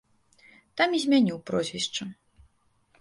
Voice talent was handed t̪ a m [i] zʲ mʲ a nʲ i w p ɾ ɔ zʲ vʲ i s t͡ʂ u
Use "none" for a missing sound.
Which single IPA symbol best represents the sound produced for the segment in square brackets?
i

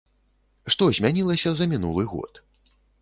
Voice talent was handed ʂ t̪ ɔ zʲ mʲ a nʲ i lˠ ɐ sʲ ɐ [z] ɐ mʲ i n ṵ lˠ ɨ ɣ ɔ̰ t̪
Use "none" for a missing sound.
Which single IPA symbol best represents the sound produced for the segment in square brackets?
z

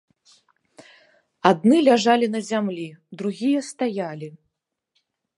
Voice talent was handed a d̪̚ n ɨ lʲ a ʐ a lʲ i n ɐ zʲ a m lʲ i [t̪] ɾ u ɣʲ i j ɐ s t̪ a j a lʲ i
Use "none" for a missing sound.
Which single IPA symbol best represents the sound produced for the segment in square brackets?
d̪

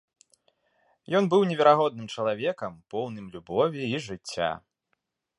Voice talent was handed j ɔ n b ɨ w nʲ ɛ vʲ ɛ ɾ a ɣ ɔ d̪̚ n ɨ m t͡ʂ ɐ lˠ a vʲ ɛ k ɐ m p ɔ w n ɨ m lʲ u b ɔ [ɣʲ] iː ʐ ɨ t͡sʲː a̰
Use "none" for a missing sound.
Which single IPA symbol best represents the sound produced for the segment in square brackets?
vʲ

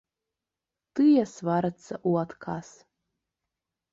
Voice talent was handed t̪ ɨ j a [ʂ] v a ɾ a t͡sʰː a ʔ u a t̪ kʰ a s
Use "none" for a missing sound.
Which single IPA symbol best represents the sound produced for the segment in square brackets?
s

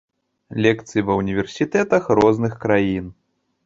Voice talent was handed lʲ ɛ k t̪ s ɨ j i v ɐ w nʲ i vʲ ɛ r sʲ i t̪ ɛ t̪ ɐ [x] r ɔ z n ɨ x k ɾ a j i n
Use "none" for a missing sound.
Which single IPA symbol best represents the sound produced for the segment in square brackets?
x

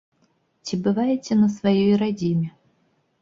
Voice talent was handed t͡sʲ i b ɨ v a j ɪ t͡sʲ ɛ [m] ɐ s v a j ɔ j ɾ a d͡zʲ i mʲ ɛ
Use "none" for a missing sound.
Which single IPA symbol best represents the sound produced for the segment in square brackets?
n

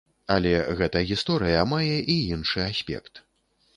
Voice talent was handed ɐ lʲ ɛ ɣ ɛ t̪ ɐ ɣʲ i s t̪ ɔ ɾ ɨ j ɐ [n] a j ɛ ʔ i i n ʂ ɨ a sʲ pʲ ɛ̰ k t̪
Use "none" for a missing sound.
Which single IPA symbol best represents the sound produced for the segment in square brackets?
m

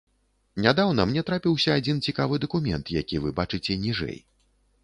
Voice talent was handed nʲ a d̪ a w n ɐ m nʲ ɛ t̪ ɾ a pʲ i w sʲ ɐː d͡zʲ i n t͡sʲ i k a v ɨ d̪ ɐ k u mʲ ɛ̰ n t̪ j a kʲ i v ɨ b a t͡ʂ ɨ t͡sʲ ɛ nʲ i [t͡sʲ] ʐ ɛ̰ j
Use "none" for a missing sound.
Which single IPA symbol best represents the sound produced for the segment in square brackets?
none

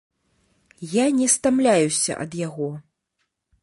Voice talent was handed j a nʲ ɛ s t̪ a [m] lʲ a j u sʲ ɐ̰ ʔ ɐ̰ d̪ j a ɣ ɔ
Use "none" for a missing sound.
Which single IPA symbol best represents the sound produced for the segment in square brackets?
m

